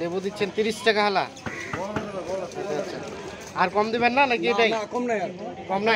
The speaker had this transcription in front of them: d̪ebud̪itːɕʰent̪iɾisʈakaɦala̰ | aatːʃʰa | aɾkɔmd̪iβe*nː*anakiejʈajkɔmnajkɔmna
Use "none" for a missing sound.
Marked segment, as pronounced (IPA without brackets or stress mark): nː